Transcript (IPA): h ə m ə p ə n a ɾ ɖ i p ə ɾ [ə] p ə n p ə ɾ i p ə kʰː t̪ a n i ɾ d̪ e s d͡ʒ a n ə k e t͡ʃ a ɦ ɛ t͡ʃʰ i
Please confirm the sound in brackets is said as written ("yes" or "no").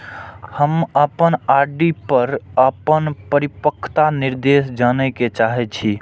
yes